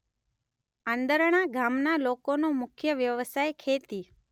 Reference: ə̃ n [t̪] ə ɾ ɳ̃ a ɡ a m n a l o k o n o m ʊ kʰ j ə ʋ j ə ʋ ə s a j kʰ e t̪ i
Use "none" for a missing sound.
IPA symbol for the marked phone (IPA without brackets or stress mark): d̪